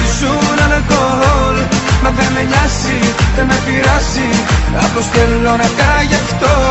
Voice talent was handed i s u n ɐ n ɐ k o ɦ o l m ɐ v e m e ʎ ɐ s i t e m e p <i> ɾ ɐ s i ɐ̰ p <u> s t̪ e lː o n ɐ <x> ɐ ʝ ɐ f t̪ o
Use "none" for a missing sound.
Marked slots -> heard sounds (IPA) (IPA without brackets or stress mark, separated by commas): i, o, k